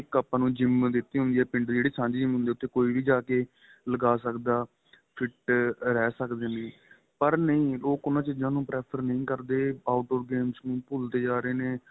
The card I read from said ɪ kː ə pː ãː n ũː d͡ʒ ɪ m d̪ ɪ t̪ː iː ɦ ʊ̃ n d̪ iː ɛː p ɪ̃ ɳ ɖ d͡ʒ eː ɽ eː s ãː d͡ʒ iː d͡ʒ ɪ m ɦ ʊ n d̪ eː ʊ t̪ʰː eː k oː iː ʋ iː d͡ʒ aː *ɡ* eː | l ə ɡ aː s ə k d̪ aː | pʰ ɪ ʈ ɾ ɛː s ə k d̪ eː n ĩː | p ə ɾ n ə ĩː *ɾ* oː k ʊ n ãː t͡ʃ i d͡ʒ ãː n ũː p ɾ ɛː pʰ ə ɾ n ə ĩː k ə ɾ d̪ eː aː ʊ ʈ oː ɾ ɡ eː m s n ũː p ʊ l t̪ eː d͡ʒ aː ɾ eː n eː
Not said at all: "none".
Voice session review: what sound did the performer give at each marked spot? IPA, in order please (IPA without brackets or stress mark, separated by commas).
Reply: k, l